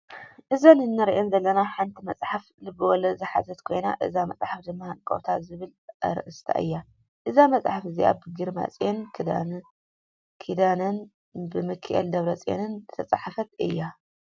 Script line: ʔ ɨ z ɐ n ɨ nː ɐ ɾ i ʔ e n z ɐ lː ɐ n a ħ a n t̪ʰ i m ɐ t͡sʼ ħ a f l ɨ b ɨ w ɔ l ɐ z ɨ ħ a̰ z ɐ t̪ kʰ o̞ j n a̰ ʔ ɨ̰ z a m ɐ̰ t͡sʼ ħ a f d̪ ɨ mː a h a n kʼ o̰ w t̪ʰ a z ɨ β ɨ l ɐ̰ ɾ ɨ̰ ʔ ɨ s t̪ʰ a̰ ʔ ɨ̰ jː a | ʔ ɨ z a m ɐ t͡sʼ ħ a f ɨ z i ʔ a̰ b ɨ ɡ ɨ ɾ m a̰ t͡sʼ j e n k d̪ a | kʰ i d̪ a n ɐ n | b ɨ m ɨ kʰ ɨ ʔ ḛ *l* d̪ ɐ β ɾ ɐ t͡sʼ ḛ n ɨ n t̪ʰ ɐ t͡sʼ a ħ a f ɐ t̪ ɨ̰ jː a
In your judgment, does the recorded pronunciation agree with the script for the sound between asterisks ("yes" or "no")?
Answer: yes